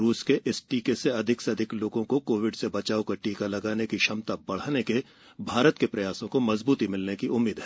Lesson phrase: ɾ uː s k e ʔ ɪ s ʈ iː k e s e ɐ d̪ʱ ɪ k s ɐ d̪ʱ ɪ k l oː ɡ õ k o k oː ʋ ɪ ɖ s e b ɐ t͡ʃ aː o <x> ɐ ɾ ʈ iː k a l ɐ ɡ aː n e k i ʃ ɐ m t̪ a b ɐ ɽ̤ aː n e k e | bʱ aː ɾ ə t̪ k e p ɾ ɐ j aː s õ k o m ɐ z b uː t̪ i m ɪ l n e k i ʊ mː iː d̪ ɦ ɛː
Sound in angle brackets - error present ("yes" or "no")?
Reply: yes